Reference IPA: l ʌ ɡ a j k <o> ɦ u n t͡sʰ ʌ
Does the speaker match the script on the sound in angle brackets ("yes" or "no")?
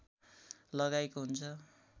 yes